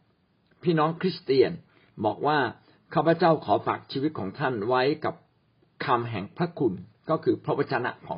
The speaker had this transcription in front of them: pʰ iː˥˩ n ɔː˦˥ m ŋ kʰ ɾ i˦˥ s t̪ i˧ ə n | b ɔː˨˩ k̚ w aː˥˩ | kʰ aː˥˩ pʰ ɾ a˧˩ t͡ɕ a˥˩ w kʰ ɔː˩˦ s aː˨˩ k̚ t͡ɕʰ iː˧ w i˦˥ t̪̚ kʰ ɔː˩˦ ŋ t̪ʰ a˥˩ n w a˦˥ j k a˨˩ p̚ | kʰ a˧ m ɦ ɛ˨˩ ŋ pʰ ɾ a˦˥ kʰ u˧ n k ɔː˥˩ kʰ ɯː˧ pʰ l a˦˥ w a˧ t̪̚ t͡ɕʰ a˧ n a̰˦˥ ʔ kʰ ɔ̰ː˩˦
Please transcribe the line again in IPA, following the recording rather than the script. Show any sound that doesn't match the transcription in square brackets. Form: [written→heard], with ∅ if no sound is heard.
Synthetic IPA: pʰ iː˥˩ n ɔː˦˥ [m→∅] ŋ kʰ ɾ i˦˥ s t̪ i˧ ə n | b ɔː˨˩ k̚ w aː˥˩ | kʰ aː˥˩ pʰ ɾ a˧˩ t͡ɕ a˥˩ w kʰ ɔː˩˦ [s→f] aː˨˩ k̚ t͡ɕʰ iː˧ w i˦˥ t̪̚ kʰ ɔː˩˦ ŋ t̪ʰ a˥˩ n w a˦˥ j k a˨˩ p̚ | kʰ a˧ m ɦ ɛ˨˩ ŋ pʰ ɾ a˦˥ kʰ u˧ n k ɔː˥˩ kʰ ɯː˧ pʰ [l→ɾ] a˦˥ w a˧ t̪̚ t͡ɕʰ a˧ n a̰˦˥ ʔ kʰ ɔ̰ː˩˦